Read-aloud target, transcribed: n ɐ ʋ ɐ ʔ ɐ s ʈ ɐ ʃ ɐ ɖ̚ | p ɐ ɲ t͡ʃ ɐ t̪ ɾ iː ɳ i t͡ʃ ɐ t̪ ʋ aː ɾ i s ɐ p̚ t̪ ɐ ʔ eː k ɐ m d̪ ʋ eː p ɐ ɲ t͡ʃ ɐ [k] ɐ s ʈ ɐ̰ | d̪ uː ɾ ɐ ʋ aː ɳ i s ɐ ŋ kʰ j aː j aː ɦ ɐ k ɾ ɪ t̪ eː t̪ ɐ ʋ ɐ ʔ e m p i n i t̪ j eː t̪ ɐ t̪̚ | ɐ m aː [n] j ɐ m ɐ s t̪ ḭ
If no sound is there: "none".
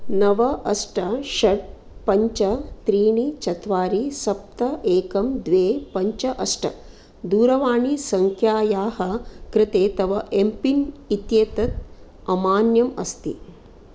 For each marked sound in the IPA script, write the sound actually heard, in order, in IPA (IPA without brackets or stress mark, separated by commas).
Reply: ʔ, n